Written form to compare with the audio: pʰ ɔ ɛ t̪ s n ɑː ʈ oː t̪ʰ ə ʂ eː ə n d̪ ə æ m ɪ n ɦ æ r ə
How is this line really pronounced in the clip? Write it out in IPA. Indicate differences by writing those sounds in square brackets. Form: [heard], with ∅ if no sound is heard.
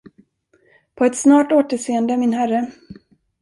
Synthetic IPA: pʰ ɔ ɛ t̪ s n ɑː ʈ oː [t̪] ə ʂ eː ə n d̪ ə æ m ɪ n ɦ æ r ə